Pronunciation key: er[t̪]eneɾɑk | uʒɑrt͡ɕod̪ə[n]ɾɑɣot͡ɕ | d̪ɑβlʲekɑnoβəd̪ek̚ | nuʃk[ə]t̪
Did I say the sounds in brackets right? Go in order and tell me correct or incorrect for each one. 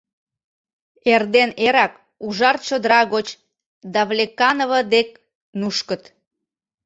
incorrect: d̪, incorrect: none, correct

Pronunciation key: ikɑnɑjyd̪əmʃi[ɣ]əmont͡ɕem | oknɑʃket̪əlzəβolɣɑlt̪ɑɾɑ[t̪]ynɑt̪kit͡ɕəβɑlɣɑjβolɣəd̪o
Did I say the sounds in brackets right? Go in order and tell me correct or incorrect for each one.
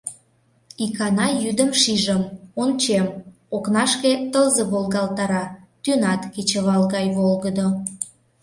incorrect: ʒ, correct

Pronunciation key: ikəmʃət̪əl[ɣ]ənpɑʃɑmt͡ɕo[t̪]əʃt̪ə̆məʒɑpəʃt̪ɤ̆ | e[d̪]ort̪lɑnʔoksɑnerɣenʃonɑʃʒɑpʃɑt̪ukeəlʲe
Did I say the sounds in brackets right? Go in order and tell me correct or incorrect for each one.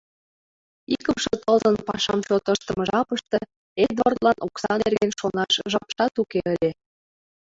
incorrect: z, correct, correct

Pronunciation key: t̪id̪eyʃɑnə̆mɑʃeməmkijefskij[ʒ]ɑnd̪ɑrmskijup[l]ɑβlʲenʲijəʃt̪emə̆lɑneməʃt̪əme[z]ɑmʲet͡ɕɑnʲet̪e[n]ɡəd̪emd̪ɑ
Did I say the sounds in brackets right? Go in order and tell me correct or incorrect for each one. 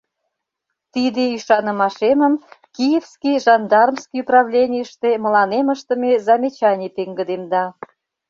correct, incorrect: r, correct, incorrect: ŋ

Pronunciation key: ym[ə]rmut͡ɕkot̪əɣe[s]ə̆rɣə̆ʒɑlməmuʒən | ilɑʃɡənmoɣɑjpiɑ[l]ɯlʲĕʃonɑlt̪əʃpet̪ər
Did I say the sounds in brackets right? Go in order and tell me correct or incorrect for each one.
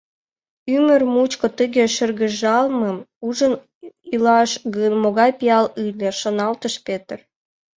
correct, incorrect: ʃ, correct

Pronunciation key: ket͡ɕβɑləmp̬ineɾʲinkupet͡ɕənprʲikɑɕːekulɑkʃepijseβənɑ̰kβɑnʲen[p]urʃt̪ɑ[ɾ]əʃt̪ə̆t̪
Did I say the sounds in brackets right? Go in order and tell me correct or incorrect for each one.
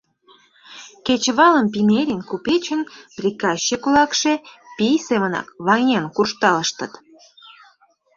incorrect: k, incorrect: l

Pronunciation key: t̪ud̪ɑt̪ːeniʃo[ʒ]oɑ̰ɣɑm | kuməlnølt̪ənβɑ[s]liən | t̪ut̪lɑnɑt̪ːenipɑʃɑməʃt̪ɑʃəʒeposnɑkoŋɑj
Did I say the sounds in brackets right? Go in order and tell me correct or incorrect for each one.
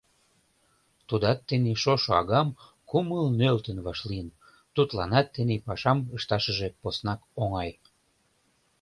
incorrect: ʃ, incorrect: ʃ

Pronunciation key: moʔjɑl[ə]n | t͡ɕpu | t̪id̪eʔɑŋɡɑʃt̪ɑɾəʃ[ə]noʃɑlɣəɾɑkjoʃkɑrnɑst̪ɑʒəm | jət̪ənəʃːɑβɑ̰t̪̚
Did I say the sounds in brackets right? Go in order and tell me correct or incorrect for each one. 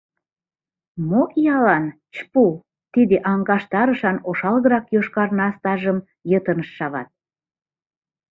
incorrect: ɑ, incorrect: ɑ

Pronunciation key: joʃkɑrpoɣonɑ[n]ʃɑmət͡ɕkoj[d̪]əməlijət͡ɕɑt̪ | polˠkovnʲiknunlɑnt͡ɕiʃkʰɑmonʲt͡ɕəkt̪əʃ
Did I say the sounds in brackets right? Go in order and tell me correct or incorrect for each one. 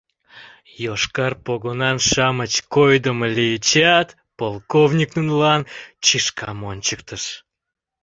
correct, correct

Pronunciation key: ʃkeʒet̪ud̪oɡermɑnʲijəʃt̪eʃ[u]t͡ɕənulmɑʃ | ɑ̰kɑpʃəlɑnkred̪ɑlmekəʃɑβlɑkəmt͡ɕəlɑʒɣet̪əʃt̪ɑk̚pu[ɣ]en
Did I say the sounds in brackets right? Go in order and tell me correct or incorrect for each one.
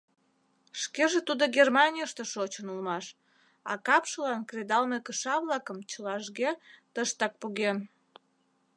incorrect: o, correct

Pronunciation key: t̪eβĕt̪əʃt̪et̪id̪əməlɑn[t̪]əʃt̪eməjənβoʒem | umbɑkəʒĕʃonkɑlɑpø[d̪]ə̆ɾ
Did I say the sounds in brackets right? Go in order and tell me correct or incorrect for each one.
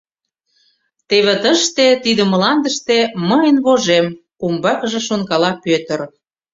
incorrect: d̪, incorrect: t̪

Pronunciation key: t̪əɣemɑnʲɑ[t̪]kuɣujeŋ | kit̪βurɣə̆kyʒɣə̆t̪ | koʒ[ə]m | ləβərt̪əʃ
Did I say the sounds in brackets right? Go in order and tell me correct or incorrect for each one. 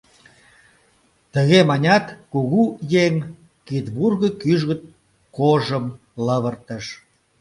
correct, correct

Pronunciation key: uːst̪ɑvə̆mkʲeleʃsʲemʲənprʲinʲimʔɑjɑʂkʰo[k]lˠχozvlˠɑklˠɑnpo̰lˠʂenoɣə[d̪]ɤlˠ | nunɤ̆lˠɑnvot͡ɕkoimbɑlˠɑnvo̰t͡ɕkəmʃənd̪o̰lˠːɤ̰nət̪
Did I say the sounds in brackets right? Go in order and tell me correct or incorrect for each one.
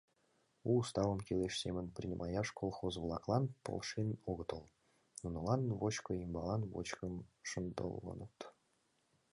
incorrect: none, incorrect: t̪

